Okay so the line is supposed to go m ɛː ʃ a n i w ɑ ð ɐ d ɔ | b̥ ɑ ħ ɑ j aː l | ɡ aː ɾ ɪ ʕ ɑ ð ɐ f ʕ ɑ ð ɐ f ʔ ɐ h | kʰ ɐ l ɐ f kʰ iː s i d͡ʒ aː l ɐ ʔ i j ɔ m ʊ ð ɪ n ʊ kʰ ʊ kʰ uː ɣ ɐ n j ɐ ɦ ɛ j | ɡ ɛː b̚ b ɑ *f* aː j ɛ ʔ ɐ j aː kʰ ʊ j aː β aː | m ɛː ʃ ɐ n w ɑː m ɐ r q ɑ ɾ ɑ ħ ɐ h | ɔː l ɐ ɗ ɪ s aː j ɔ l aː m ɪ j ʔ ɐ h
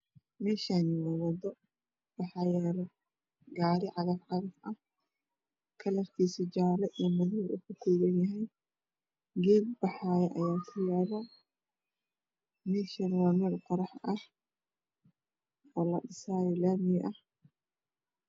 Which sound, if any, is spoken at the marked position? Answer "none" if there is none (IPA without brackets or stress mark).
ħ